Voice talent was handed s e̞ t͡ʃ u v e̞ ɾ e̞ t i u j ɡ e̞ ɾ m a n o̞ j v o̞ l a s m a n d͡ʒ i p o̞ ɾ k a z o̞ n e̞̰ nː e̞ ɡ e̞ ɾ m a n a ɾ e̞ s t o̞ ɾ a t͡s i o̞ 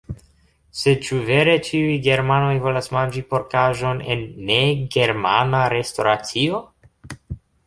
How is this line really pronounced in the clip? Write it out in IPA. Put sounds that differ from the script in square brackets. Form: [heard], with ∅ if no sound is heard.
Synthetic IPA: s e̞ t͡ʃ u v e̞ ɾ e̞ [t͡ʃ] i u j ɡ e̞ ɾ m a n o̞ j v o̞ l a s m a n d͡ʒ i p o̞ ɾ k a [ʒ] o̞ n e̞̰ nː e̞ ɡ e̞ ɾ m a n a ɾ e̞ s t o̞ ɾ a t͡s i o̞